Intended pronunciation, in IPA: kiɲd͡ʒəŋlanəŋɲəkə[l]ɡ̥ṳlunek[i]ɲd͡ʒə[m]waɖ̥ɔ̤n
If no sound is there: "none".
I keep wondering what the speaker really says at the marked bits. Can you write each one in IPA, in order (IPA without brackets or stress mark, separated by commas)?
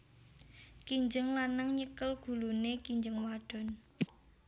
l, i, ŋ